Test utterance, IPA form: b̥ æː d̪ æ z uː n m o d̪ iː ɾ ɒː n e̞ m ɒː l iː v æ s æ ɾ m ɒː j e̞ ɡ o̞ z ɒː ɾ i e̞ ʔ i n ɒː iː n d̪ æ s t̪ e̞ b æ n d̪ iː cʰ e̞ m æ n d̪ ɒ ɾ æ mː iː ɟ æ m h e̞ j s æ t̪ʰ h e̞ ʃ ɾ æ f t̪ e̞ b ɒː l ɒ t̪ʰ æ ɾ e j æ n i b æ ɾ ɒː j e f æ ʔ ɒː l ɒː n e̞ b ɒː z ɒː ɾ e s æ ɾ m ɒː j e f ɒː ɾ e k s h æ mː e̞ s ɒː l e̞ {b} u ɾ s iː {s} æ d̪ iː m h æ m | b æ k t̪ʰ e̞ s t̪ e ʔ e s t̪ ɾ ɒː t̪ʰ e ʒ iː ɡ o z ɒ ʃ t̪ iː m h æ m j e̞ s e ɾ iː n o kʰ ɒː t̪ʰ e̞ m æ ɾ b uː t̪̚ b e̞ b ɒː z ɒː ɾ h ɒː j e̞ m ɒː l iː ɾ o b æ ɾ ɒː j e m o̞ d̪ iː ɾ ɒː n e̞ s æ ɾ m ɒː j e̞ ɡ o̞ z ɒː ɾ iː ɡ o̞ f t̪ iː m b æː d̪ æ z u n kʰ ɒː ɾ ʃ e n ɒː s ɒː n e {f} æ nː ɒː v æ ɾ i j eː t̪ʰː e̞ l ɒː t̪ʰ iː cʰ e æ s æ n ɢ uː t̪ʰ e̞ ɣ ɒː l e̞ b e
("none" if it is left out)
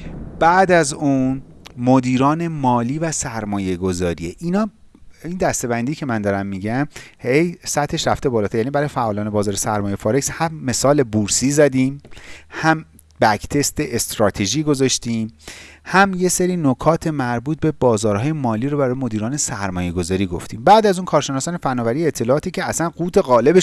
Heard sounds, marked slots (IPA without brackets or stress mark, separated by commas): b, z, f